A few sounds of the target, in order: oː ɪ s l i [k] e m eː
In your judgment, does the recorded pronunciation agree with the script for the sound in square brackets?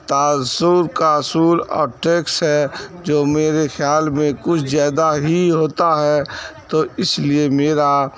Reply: no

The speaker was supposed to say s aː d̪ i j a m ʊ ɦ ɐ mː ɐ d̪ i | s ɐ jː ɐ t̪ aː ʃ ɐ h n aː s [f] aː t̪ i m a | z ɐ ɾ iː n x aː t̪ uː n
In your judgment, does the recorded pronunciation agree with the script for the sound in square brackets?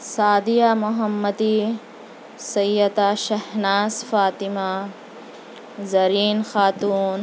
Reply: yes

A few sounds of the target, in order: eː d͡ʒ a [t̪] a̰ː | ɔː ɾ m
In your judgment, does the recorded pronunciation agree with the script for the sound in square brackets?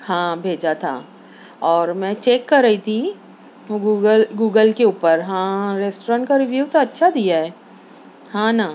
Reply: no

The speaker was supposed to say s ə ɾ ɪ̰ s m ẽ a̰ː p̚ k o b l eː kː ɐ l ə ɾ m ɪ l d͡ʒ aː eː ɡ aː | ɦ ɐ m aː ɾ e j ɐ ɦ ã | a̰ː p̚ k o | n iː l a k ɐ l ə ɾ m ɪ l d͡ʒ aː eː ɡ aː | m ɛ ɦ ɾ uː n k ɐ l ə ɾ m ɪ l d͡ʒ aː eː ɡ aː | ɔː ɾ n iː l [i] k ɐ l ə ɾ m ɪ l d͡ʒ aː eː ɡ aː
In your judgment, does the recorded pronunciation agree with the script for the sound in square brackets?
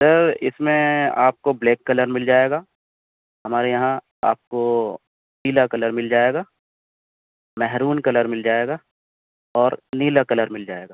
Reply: no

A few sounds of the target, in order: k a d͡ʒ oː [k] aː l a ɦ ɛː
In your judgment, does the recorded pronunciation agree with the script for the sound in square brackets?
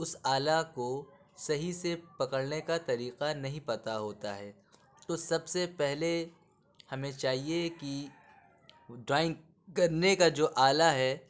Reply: no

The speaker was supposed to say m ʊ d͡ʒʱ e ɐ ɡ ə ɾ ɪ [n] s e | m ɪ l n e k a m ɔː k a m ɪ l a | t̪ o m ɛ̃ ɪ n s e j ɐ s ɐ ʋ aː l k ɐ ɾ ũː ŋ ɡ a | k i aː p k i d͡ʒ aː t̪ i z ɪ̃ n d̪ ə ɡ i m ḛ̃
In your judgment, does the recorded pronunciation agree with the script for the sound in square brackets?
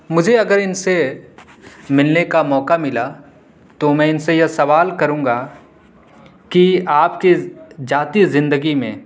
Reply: yes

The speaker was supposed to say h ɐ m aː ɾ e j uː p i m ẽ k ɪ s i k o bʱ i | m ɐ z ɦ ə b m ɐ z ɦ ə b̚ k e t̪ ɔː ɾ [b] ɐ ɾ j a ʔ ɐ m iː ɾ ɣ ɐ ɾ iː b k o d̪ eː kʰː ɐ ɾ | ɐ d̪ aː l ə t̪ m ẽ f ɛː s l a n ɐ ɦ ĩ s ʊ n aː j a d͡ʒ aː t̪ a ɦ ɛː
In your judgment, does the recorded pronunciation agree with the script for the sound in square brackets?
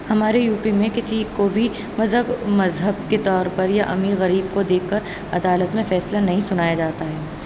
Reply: no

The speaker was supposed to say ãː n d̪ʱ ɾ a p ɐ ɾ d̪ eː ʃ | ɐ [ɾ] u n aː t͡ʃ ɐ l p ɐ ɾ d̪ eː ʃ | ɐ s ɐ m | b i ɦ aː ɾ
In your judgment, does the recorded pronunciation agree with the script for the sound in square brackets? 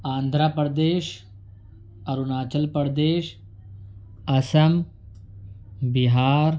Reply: yes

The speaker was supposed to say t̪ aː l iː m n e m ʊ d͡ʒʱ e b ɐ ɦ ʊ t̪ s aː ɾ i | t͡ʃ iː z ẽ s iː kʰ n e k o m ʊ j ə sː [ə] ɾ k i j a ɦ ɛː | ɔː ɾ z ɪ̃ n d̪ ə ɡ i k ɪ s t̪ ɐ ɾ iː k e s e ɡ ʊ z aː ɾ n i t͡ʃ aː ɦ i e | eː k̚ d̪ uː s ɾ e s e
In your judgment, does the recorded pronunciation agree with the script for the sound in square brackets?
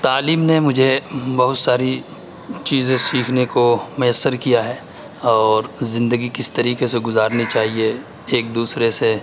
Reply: yes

